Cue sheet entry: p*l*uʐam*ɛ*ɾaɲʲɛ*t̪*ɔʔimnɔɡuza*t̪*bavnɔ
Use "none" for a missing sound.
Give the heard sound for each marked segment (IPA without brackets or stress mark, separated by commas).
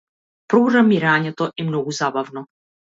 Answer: ɾ, i, t̪, none